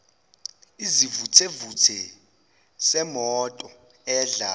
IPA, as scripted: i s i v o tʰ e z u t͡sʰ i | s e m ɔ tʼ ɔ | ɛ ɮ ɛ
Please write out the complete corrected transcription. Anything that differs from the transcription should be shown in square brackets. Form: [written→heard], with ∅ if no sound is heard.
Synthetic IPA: i [s→z] i v [o→u] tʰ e [z→v] u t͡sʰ [i→ɛ] | s [e→ɛ] m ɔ tʼ ɔ | ɛ ɮ [ɛ→a]